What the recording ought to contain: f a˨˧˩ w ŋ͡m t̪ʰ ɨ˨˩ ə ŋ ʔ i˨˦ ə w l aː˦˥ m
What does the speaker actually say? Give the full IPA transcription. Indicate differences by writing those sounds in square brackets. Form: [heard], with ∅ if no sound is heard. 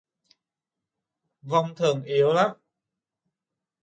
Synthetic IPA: [v] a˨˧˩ w ŋ͡m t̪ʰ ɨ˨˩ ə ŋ ʔ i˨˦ ə w l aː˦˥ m